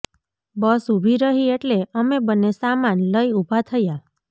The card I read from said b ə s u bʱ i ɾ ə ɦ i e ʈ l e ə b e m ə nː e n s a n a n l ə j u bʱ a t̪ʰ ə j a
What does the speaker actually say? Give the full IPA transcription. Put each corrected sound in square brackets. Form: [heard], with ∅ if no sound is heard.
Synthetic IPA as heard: b ə s u bʱ i ɾ ə ɦ i e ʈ l e ə [m] e [b] ə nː e [∅] s a [m] a n l ə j u bʱ a t̪ʰ ə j a

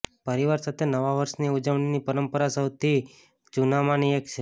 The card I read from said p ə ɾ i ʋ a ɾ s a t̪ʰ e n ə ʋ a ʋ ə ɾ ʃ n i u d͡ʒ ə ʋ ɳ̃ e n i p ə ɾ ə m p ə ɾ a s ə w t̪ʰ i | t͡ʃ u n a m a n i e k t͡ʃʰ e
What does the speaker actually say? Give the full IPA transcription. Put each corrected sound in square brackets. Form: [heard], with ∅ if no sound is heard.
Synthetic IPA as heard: p ə ɾ i ʋ a ɾ s a t̪ʰ e n ə ʋ a ʋ ə ɾ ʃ n i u d͡ʒ ə ʋ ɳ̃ [i] n i p ə ɾ ə m p ə ɾ a s ə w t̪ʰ i | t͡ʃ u n a m a n i e k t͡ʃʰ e

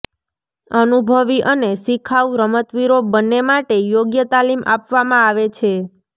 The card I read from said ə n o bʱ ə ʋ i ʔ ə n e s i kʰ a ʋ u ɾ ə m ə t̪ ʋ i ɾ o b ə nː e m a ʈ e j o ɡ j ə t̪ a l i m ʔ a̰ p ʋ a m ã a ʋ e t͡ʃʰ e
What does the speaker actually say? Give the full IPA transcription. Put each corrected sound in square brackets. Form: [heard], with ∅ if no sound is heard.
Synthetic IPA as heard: ə n [u] bʱ ə ʋ i ʔ ə n e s i kʰ a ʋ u ɾ ə m ə t̪ ʋ i ɾ o b ə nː e m a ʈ e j o ɡ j ə t̪ a l i m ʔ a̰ p ʋ a m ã a ʋ e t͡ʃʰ e

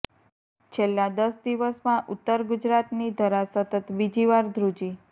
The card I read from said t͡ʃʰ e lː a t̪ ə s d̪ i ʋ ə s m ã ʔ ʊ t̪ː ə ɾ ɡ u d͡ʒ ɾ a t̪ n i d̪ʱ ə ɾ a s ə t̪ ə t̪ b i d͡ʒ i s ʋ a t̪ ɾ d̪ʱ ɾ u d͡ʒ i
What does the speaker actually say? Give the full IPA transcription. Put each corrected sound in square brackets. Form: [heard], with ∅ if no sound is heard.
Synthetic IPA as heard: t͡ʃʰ e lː a [d̪] ə s d̪ i ʋ ə s m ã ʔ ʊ t̪ː ə ɾ ɡ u d͡ʒ ɾ a t̪ n i d̪ʱ ə ɾ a s ə t̪ ə t̪ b i d͡ʒ i [∅] ʋ a [∅] ɾ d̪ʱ ɾ u d͡ʒ i

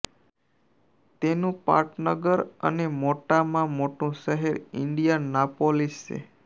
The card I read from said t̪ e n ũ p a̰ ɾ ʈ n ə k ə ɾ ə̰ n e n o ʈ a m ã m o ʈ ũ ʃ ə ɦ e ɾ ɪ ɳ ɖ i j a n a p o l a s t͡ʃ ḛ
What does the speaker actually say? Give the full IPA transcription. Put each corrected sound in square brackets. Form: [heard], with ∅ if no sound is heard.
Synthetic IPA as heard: t̪ e n ũ p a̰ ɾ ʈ n ə [ɡ] ə ɾ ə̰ n e [m] o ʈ a m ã m o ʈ ũ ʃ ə ɦ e ɾ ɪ ɳ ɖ i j a n a p o l [i] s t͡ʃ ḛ

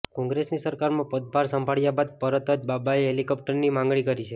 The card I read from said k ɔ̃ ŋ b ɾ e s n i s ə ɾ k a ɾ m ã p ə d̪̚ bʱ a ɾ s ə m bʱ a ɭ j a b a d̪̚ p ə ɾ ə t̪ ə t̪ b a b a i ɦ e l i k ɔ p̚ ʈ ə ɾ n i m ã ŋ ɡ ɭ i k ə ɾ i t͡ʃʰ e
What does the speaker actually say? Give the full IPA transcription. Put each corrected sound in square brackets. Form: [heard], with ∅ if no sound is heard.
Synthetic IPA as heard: k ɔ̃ ŋ [ɡ] ɾ e s n i s ə ɾ k a ɾ m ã p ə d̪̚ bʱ a ɾ s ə m bʱ a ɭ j a b a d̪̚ p ə ɾ ə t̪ ə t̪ b a b a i ɦ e l i k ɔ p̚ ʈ ə ɾ n i m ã ŋ ɡ ɭ i k ə ɾ i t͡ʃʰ e

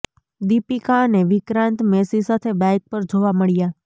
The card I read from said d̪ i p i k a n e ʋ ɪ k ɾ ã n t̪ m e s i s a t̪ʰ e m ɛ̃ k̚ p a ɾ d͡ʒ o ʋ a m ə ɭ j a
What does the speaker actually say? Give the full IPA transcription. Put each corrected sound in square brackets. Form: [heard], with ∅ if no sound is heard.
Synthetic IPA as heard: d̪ i p i k a n e ʋ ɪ k ɾ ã n t̪ m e s i s a t̪ʰ e [b] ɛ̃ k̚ p [ə] ɾ d͡ʒ o ʋ a m ə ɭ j a

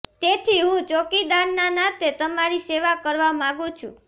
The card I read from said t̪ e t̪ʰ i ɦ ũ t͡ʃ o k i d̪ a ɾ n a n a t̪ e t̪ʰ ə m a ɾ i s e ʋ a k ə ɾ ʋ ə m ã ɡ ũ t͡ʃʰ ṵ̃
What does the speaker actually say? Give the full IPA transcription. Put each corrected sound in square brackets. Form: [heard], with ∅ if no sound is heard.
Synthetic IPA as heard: t̪ e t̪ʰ i ɦ ũ t͡ʃ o k i d̪ a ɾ n a n a t̪ e [t̪] ə m a ɾ i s e ʋ a k ə ɾ ʋ [a] m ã ɡ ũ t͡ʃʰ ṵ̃

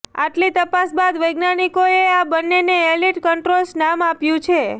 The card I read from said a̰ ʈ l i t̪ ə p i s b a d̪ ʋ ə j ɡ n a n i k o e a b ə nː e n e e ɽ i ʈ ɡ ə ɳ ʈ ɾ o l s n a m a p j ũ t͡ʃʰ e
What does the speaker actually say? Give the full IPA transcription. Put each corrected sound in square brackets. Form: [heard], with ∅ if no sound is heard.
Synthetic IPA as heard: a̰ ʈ l i t̪ ə p [a] s b a d̪ ʋ ə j ɡ n a n i k o e a b ə nː e n e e [l] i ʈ [k] ə ɳ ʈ ɾ o l s n a m a p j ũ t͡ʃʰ e

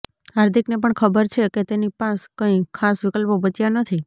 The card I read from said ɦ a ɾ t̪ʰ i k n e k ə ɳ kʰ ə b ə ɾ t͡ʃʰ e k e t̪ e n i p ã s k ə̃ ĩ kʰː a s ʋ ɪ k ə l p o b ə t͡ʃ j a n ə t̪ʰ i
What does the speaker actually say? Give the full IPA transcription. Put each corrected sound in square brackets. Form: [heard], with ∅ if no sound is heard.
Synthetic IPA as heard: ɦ a ɾ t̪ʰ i k n e [p] ə ɳ kʰ ə b ə ɾ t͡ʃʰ e k e t̪ e n i p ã s k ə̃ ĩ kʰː a s ʋ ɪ k ə l p o b ə t͡ʃ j a n ə t̪ʰ i

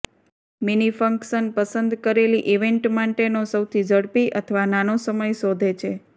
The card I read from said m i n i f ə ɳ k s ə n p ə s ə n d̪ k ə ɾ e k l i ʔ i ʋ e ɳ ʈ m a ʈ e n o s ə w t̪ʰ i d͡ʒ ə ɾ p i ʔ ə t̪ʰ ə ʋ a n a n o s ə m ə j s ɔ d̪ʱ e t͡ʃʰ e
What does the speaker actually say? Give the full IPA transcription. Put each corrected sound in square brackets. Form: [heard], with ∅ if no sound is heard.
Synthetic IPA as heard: m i n i f ə [ŋ] k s ə n p ə s ə n d̪ k ə ɾ e [∅] l i ʔ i ʋ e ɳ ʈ m a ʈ e n o s ə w t̪ʰ i d͡ʒ ə [ɽ] p i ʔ ə t̪ʰ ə ʋ a n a n o s ə m ə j s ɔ d̪ʱ e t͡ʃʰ e

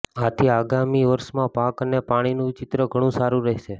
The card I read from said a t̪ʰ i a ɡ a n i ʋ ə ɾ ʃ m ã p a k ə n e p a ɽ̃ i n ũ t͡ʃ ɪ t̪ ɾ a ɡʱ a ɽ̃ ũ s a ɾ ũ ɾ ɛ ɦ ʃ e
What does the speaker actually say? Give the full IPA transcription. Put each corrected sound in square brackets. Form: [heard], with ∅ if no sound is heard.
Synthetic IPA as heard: a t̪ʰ i a ɡ a [m] i ʋ ə ɾ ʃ m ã p a k ə n e p a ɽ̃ i n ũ t͡ʃ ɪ t̪ ɾ [ə] ɡʱ [ə] ɽ̃ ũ s a ɾ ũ ɾ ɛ ɦ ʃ e

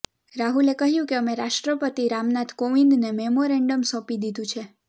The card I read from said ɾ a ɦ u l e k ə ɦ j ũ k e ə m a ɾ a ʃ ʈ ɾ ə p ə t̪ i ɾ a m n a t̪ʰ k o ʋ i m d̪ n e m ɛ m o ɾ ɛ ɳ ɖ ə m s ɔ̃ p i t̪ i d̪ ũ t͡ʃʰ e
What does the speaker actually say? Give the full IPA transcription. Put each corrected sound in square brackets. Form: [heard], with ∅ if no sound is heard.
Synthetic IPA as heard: ɾ a ɦ u l e k ə ɦ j ũ k e ə m [e] ɾ a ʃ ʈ ɾ ə p ə t̪ i ɾ a m n a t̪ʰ k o ʋ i [n] d̪ n e m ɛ m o ɾ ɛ ɳ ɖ ə m s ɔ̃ p i [d̪] i d̪ ũ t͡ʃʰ e

